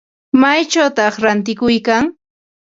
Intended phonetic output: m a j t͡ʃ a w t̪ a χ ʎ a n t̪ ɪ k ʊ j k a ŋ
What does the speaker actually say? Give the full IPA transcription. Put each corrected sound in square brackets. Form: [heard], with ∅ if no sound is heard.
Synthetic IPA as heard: m a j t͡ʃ a w t̪ [ɑ] χ [ɾ] a n t̪ ɪ k ʊ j k a ŋ